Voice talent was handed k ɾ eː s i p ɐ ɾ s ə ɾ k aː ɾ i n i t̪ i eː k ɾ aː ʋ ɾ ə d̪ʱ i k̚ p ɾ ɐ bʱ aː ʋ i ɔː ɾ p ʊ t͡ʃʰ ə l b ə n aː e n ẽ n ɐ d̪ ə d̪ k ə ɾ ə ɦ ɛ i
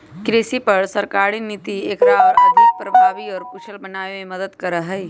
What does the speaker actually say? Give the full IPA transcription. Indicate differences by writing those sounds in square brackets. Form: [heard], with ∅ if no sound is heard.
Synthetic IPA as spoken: k ɾ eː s i p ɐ ɾ s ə ɾ k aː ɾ i n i t̪ i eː k ɾ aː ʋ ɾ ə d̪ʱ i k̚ p ɾ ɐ bʱ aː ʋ i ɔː ɾ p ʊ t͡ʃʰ ə l b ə n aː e [m] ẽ [m] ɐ d̪ ə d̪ k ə ɾ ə ɦ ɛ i